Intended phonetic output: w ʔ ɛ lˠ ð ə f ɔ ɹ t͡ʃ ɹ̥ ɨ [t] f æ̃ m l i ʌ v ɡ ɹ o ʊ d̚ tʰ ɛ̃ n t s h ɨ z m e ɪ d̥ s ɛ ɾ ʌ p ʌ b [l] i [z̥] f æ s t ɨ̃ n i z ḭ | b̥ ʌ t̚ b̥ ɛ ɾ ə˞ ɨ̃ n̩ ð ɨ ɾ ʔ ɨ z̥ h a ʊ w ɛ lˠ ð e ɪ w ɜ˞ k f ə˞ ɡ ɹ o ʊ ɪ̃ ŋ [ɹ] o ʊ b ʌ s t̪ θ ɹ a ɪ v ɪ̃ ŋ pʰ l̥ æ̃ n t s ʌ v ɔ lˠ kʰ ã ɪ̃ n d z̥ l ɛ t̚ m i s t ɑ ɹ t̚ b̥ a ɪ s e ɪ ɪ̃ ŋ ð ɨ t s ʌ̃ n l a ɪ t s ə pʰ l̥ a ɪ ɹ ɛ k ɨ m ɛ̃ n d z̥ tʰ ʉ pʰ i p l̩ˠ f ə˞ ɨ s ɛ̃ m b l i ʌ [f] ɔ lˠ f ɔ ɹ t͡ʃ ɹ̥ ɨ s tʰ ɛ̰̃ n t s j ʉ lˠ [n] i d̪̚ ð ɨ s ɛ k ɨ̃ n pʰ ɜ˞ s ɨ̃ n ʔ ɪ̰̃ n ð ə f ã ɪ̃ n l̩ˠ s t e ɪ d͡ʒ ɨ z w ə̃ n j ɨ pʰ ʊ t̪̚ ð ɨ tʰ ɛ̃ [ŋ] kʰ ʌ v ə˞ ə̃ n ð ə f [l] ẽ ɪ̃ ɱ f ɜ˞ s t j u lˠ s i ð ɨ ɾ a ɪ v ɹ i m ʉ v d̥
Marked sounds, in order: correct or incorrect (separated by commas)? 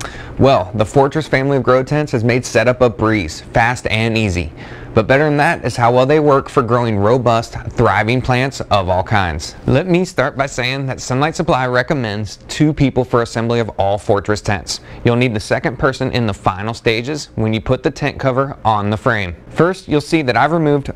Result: incorrect, incorrect, correct, correct, incorrect, correct, incorrect, incorrect